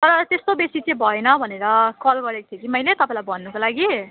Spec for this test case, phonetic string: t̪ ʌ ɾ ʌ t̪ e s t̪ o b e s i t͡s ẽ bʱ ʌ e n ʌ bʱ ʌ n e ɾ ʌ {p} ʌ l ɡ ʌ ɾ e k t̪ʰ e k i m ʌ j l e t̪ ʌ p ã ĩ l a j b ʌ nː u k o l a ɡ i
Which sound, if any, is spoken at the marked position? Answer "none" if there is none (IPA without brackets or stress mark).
k